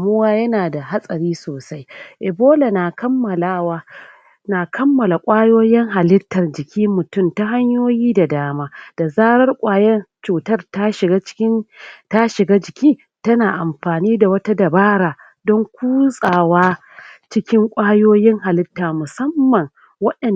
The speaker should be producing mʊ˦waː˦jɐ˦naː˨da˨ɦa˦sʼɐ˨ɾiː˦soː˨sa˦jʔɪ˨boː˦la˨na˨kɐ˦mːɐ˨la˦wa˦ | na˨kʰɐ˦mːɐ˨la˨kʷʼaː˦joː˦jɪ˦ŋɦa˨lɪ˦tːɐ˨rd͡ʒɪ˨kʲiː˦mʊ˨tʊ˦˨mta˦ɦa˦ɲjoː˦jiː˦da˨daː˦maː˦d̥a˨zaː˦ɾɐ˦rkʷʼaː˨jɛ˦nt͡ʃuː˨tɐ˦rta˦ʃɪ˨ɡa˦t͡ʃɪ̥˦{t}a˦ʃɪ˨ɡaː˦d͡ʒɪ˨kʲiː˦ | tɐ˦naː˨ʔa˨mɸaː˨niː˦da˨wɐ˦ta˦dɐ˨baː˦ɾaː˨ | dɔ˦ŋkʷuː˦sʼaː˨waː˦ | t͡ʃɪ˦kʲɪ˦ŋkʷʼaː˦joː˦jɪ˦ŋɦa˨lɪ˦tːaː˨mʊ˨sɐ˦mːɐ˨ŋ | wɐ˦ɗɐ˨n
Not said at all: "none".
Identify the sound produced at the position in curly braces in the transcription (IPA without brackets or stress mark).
t